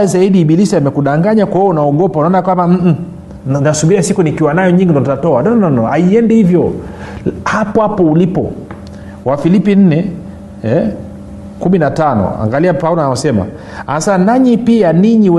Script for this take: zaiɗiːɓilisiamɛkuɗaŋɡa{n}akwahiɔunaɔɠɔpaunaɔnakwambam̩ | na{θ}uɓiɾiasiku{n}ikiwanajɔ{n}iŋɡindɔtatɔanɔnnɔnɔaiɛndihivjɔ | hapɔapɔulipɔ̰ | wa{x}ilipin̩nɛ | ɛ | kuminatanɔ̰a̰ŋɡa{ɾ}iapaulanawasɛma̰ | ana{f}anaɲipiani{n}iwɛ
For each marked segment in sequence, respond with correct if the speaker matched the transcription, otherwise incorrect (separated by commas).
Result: incorrect, incorrect, correct, incorrect, incorrect, incorrect, incorrect, incorrect